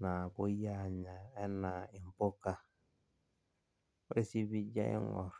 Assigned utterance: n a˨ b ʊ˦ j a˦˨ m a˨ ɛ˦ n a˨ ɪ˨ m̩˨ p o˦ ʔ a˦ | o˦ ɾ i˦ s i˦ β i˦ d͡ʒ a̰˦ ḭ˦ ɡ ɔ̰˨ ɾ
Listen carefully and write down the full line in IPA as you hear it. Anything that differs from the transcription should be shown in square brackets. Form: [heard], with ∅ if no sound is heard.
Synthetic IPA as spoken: n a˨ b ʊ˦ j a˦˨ [ɲ] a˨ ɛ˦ n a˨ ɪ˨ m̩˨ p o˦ [k] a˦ | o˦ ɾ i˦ s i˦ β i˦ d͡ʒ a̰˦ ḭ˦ [ŋ] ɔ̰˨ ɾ